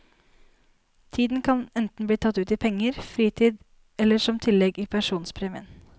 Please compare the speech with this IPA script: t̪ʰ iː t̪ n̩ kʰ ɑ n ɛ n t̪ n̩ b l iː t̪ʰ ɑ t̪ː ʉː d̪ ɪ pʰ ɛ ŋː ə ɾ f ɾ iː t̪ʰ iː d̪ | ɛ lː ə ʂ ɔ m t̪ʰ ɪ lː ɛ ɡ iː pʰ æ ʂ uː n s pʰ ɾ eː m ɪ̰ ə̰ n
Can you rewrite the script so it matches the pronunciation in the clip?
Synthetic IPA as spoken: t̪ʰ iː d̪ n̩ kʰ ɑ n ɛ n t̪ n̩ b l iː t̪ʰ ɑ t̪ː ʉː t̪ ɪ pʰ ɛ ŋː ə ɾ f ɾ iː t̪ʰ iː d̪ | ɛ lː ə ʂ ɔ m t̪ʰ ɪ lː ɛ ɡ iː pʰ æ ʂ uː n s pʰ ɾ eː m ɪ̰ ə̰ n